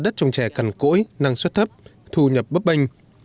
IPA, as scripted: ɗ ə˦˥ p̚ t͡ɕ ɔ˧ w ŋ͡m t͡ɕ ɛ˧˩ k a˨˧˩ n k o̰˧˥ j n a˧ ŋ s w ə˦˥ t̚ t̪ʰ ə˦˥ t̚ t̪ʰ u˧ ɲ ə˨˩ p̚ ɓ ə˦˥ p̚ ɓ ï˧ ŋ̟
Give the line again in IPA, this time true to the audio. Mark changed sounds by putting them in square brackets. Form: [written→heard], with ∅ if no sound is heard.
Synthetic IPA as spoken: ɗ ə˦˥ [p̚→t̚] t͡ɕ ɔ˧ w ŋ͡m t͡ɕ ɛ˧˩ k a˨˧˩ n k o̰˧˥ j n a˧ ŋ s w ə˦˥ t̚ t̪ʰ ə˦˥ [t̚→p̚] t̪ʰ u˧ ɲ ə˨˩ p̚ ɓ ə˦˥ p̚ ɓ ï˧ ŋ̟